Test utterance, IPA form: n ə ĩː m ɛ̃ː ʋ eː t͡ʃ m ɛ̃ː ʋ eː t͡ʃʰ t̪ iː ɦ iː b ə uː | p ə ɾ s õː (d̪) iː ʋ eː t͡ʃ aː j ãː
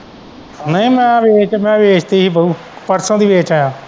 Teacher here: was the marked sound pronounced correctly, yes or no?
yes